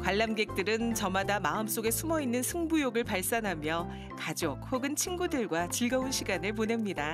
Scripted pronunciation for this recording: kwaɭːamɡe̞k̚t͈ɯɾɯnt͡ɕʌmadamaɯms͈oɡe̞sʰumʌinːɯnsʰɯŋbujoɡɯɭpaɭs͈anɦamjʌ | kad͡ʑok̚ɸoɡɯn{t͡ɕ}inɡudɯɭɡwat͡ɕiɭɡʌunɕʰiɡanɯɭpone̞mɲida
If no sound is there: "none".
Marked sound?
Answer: t͡ɕʰ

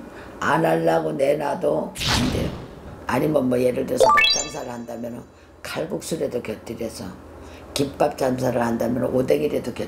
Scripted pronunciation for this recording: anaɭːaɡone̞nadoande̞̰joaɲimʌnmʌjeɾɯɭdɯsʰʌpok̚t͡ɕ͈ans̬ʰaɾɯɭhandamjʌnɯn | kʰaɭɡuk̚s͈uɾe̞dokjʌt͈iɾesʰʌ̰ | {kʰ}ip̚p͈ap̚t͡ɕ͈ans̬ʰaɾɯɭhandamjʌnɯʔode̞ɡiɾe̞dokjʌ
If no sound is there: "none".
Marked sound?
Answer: k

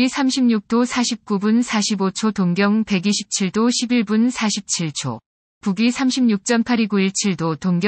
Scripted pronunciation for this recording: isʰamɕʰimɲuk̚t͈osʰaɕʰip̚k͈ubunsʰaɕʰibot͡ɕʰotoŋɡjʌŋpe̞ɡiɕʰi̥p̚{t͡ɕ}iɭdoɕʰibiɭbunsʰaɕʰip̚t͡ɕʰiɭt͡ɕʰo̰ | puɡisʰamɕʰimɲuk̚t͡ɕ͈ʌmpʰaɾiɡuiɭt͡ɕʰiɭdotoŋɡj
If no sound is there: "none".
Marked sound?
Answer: t͡ɕʰ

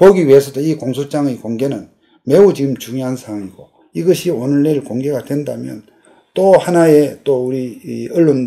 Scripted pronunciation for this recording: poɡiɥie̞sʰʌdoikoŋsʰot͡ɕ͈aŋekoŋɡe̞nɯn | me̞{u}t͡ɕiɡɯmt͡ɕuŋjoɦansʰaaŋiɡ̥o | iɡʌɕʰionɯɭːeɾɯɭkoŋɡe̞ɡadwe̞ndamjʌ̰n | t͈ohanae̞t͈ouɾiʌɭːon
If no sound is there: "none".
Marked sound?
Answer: u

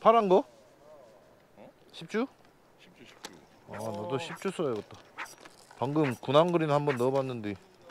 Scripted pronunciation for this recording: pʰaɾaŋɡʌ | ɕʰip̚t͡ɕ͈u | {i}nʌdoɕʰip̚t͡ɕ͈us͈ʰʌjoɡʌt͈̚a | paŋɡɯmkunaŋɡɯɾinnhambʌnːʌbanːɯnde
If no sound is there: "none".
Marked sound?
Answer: a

